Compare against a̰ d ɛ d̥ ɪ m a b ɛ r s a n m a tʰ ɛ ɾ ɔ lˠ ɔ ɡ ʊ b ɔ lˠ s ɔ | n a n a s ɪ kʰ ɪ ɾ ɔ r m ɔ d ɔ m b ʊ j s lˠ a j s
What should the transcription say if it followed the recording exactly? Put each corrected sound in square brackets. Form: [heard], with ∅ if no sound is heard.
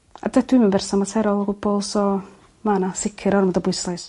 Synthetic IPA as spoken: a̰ d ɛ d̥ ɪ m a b ɛ r s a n m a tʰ ɛ ɾ ɔ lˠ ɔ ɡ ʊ b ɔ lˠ s ɔ | [m] a n a s ɪ kʰ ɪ ɾ ɔ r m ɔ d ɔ [∅] b ʊ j s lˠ a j s